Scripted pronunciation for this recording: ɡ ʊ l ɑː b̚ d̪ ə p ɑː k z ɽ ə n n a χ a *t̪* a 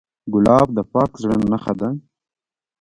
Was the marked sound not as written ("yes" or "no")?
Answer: yes